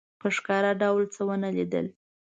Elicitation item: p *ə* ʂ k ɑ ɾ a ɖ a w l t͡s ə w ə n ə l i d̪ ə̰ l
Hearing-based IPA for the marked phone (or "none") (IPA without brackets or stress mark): ə